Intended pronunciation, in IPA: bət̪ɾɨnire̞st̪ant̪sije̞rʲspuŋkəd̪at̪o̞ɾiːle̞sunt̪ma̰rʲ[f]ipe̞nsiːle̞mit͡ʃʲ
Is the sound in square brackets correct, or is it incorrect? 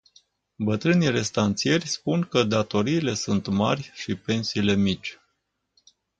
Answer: incorrect